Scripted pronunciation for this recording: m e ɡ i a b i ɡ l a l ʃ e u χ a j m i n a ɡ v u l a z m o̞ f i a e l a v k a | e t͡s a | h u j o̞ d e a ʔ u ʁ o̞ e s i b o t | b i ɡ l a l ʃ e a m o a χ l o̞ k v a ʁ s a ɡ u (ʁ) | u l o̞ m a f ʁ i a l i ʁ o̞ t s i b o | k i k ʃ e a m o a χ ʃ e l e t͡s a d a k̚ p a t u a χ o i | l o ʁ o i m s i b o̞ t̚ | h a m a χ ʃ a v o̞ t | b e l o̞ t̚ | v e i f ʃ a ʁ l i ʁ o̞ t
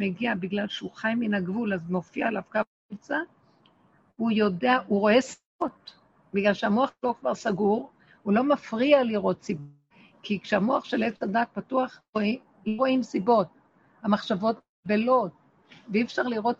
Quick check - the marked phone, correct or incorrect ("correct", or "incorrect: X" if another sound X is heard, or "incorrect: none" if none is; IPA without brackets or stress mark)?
correct